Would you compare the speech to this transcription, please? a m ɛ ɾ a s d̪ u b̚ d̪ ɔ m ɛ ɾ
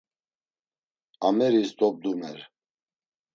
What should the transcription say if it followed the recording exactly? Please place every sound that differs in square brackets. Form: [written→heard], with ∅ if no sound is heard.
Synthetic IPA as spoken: a m ɛ ɾ [a→i] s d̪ [u→ɔ] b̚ d̪ [ɔ→u] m ɛ ɾ